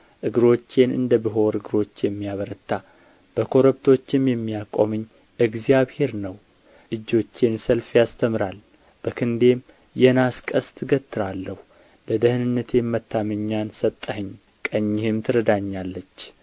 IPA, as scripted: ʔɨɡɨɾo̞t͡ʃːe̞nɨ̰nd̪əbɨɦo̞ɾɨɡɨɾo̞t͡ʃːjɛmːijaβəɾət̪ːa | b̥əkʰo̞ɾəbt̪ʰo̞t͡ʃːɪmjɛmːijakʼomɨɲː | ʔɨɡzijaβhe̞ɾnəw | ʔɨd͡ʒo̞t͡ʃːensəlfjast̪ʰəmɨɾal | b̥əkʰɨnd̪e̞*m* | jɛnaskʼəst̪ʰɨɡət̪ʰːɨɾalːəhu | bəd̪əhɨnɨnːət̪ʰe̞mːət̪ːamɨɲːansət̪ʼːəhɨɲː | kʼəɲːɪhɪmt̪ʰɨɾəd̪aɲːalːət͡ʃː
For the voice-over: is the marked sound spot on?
yes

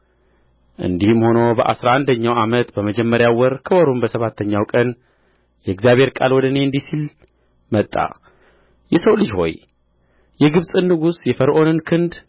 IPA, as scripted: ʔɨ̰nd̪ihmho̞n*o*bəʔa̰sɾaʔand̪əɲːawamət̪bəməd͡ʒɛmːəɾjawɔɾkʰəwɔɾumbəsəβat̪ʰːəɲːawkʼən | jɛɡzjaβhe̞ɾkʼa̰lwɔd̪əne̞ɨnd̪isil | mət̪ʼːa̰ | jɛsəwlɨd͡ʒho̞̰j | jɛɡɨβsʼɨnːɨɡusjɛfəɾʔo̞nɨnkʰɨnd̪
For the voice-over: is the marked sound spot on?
yes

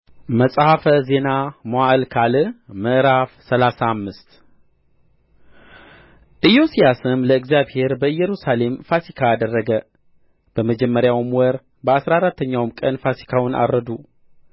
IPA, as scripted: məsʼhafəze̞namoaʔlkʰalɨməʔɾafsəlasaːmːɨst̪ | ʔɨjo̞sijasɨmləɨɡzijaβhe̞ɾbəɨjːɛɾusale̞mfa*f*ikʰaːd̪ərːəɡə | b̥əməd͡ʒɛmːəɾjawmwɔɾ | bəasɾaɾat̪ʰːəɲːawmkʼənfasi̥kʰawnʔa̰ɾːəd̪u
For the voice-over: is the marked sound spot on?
no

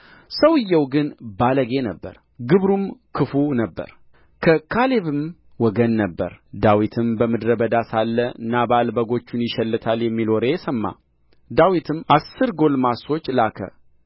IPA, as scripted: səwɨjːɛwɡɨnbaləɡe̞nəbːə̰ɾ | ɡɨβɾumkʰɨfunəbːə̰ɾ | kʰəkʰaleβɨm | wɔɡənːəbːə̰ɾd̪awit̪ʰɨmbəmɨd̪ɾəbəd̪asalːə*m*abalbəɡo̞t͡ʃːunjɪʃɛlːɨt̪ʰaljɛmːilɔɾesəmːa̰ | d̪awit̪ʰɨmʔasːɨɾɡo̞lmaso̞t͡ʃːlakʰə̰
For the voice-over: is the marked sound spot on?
no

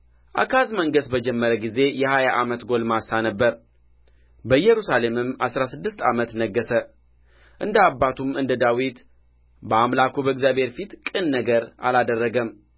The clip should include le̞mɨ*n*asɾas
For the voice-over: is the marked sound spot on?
no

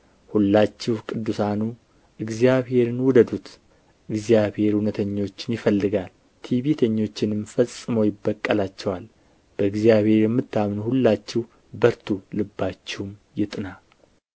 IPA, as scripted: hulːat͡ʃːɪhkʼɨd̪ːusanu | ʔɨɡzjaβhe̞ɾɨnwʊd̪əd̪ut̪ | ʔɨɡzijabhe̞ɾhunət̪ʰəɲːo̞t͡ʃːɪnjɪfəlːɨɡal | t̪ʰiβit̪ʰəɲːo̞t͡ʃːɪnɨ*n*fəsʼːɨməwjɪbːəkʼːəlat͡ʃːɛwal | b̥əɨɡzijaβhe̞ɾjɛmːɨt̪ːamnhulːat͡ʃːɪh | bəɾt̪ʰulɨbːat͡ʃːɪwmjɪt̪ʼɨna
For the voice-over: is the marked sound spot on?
no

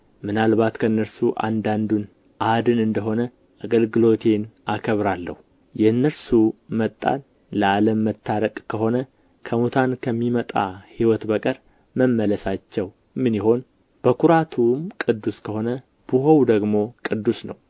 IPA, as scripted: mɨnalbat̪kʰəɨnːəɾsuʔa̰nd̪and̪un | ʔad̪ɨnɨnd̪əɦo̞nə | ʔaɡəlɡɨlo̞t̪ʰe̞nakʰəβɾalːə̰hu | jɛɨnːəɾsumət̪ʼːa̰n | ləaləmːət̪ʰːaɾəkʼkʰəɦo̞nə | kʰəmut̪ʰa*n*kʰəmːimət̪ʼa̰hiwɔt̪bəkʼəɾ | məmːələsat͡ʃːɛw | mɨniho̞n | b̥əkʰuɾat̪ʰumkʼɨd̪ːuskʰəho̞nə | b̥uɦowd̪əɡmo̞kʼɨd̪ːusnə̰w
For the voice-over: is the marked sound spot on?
yes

